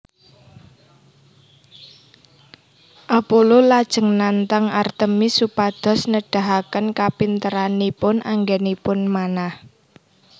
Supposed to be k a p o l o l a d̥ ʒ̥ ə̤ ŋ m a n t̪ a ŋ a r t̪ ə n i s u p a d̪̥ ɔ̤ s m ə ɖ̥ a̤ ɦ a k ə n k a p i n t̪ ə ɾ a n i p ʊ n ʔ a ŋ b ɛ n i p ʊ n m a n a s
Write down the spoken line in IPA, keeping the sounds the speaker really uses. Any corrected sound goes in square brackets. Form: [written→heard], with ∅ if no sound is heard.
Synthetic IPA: [k→ʔ] a p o l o l a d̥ ʒ̥ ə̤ ŋ [m→n] a n t̪ a ŋ a r t̪ ə [n→m] i s u p a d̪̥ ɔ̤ s [m→n] ə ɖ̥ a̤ ɦ a k ə n k a p i n t̪ ə ɾ a n i p ʊ n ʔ a ŋ [b→ɡ] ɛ n i p ʊ n m a n a [s→h]